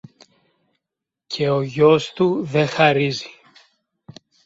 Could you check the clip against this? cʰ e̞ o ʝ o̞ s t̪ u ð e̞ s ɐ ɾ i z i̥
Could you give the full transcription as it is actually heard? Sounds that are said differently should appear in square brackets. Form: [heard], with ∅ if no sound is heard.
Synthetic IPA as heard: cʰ e̞ o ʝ o̞ s t̪ u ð e̞ [x] ɐ ɾ i z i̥